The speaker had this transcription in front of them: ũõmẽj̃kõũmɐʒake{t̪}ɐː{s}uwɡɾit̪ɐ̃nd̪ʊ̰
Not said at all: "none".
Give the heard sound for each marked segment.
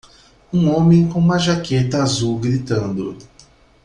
t̪, z

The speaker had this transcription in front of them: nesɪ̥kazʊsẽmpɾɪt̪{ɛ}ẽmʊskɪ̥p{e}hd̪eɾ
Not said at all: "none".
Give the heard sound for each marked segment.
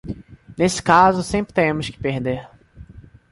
e, e

